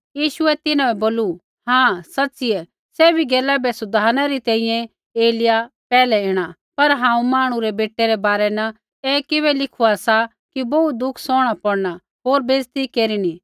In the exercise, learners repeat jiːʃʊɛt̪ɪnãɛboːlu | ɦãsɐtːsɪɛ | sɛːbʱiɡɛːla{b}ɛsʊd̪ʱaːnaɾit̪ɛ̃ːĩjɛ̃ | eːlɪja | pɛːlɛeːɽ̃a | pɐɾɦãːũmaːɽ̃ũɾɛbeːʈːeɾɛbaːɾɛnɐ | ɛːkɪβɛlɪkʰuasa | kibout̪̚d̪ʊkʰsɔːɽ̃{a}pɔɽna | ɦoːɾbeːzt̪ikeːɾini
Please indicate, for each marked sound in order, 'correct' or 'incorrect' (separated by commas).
correct, correct